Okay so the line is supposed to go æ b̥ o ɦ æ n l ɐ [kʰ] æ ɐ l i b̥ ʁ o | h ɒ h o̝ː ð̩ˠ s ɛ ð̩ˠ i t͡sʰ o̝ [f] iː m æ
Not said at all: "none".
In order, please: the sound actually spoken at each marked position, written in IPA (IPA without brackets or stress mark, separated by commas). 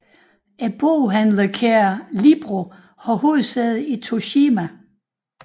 kʰ, ɕ